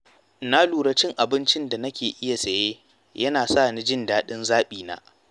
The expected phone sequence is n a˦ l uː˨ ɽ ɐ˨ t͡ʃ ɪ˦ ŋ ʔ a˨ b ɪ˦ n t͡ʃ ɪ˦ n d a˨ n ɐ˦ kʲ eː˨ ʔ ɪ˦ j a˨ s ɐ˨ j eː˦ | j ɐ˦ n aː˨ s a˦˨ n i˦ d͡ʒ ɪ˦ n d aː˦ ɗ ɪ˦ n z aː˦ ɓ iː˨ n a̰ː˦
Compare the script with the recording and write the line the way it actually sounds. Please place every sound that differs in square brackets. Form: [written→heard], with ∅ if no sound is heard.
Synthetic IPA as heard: n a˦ l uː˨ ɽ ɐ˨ t͡ʃ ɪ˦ ŋ ʔ a˨ b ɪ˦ n t͡ʃ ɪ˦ n d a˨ n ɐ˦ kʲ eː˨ ʔ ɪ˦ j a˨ s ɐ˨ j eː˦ | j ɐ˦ n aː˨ s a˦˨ n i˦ d͡ʒ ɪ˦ n d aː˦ ɗ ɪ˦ n z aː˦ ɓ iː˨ n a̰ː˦